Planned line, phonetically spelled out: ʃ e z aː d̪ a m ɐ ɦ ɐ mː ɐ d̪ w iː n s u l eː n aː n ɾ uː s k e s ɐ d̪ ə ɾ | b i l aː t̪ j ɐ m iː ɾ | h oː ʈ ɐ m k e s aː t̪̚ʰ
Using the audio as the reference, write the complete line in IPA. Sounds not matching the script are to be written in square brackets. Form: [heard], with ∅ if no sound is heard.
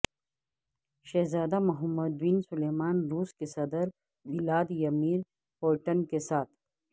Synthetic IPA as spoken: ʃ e z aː d̪ a m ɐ ɦ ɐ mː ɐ d̪ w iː n s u l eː [m] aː n ɾ uː s k e s ɐ d̪ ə ɾ | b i l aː [d̪] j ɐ m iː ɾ | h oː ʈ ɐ [n] k e s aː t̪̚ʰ